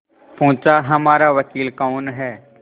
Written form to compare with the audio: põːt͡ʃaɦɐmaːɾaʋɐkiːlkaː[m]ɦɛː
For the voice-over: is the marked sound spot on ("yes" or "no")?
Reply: no